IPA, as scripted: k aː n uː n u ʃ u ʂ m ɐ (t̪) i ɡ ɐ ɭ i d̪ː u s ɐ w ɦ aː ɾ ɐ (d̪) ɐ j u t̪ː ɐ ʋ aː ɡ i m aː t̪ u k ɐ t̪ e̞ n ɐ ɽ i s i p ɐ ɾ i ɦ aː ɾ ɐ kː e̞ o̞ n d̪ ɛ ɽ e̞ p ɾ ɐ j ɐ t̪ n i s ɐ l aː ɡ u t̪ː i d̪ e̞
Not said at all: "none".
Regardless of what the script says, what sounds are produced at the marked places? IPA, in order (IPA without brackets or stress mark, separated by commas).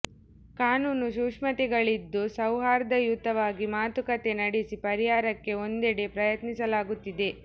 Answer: t̪, d̪